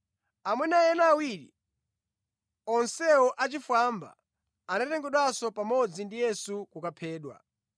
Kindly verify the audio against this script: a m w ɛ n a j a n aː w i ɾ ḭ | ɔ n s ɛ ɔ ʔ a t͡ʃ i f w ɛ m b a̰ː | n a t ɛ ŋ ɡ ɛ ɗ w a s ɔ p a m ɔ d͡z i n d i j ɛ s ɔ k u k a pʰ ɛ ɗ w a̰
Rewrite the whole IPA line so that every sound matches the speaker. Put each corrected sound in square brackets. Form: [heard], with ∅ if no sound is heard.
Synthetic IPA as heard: a m w ɛ n a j [ɛ] n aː w i ɾ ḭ | ɔ n s ɛ ɔ ʔ a t͡ʃ i f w [a] m b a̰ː | n a t ɛ ŋ ɡ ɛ ɗ w a s ɔ p a m ɔ d͡z i n d i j ɛ s [u] k u k a pʰ [ɛː] ɗ w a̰